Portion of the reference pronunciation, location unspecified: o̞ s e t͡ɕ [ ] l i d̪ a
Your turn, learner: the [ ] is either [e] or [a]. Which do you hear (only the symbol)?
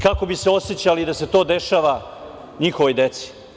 a